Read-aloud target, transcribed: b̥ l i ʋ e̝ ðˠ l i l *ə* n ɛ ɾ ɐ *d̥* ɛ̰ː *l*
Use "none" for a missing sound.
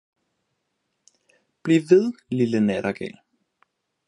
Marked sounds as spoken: ə, ɡ̥, l

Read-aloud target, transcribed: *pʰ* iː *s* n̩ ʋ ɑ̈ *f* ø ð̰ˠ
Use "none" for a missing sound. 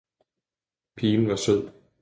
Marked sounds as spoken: pʰ, none, s

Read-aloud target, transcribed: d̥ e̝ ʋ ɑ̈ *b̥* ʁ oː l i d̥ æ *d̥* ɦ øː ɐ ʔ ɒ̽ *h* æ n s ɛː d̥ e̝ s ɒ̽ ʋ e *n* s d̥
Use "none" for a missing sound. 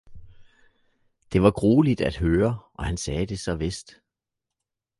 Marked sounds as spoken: ɡ̥, d̥, h, none

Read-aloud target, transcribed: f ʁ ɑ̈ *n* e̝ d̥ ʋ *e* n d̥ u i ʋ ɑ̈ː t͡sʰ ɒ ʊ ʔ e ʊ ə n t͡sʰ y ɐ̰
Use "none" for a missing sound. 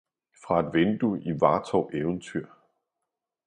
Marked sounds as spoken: none, e

